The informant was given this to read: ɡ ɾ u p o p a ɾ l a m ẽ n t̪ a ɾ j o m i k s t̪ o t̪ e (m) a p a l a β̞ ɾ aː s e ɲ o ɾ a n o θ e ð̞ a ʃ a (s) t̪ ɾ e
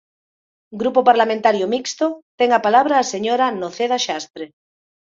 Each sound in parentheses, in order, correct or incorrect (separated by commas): incorrect, correct